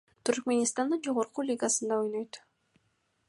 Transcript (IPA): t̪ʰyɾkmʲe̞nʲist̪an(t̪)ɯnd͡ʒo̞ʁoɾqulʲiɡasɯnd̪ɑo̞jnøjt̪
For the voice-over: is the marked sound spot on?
no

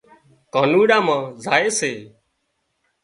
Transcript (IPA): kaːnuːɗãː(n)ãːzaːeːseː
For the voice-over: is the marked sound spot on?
no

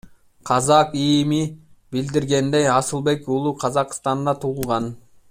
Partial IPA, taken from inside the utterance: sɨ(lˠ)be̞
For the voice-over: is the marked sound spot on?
yes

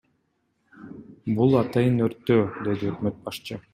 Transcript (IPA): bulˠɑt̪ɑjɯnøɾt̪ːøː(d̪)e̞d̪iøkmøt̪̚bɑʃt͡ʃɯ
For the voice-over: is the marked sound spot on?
yes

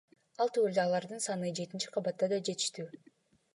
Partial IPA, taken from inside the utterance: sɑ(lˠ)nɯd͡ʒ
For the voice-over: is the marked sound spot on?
no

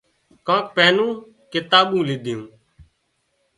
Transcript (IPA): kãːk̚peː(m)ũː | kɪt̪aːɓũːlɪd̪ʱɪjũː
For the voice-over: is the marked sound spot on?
no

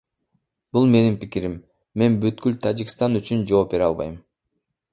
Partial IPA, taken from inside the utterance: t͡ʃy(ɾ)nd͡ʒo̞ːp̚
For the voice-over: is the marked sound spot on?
no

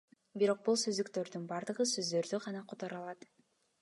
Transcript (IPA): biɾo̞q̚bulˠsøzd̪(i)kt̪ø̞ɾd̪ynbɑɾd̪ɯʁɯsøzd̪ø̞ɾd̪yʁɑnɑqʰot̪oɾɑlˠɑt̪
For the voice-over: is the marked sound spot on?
no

